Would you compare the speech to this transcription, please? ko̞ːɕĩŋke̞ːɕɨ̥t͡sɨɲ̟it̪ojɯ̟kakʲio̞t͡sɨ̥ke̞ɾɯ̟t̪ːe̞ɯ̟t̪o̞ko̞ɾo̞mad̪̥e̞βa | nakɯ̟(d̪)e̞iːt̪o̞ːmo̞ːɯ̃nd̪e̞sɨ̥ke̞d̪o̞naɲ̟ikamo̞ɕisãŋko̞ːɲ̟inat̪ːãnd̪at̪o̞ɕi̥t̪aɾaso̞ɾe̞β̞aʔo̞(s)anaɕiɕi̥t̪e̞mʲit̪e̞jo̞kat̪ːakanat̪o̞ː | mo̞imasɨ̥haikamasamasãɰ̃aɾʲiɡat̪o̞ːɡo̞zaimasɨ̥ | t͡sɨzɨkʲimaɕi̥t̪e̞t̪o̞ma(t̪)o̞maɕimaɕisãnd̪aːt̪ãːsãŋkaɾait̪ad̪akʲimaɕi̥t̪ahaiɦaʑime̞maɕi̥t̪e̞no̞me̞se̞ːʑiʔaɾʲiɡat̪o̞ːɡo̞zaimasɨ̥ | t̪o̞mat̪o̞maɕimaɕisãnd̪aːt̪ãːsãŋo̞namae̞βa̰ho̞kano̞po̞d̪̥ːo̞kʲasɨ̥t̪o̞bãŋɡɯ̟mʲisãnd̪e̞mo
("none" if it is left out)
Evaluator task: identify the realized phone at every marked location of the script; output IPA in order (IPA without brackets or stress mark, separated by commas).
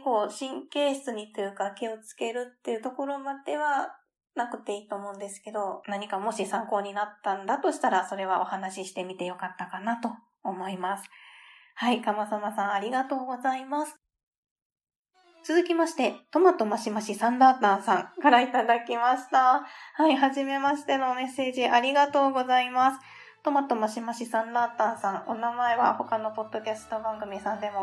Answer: t̪, h, t̪